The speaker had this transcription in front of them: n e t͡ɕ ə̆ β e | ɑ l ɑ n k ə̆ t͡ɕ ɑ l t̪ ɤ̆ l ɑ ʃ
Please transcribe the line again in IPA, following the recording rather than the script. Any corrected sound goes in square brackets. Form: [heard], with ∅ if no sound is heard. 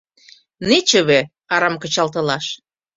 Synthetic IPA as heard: n e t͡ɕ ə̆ β e | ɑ [ɾ] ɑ [m] k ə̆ t͡ɕ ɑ l t̪ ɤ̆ l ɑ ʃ